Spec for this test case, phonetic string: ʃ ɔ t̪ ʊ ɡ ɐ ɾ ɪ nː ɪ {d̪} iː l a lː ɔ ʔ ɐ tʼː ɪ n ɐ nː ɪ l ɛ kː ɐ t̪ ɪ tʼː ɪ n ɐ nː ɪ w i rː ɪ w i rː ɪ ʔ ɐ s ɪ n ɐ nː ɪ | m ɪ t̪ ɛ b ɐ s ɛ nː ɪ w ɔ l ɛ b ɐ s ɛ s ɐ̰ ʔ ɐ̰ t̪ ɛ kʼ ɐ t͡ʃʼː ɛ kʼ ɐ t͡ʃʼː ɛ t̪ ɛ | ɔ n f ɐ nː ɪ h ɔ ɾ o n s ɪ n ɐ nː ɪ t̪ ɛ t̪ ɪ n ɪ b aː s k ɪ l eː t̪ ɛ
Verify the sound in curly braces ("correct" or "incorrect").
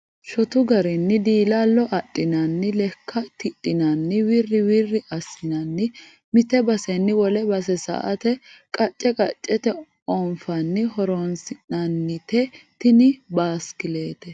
correct